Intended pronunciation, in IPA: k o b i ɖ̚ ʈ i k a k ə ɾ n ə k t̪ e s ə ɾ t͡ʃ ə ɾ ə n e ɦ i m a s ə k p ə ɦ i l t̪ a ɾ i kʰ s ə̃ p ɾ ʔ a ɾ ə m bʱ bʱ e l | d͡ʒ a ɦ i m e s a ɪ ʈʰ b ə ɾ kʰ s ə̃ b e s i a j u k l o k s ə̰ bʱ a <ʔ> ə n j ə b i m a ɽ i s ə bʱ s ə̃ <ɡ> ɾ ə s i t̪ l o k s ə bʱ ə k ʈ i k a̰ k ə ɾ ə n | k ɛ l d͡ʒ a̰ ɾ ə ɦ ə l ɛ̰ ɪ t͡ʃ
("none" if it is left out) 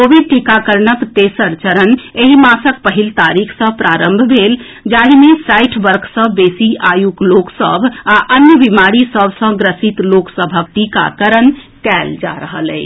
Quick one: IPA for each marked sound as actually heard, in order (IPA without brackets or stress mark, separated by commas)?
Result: ʔ, ɡ